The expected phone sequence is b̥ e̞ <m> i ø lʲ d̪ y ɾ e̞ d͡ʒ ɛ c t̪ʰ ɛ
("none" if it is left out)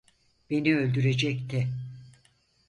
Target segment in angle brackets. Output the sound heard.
n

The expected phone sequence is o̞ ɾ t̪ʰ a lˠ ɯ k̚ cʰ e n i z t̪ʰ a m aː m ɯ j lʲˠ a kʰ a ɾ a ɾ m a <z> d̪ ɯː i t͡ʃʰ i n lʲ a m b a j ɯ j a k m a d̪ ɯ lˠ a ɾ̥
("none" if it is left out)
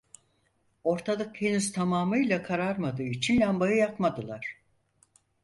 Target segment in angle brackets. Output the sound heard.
none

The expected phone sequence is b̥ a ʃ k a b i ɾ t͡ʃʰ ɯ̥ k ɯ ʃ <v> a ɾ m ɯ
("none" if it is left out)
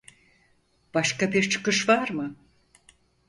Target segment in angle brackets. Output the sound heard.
v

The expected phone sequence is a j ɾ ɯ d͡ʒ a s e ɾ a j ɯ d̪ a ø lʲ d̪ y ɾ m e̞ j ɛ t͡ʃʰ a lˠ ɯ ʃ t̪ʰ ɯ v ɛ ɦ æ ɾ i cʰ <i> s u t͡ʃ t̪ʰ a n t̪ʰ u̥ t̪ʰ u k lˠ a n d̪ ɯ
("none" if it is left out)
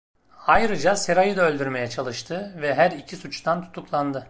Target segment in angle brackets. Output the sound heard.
i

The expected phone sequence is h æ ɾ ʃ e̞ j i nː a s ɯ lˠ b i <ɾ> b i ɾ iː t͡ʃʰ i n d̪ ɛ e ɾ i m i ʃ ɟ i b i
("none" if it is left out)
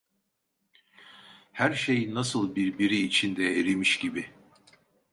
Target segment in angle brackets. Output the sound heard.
ɾ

